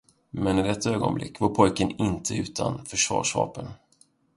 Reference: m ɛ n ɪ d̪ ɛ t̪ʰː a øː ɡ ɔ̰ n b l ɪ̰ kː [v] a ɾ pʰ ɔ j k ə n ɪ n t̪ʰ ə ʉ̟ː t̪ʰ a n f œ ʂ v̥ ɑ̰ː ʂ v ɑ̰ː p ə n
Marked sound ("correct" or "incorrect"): correct